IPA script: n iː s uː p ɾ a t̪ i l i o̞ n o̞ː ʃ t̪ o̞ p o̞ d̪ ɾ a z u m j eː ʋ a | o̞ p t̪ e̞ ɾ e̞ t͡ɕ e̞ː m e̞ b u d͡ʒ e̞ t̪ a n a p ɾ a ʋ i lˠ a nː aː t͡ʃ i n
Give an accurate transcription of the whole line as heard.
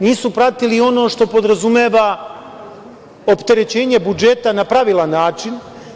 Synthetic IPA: n iː s u p ɾ a t̪ i l i o̞ n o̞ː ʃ t̪ o̞ p o̞ d̪ ɾ a z u m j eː ʋ a | o̞ p t̪ e̞ ɾ e̞ t͡ɕ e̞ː ɲ e̞ b u d͡ʒ e̞ t̪ a n a p ɾ a ʋ i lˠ a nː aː t͡ʃ i n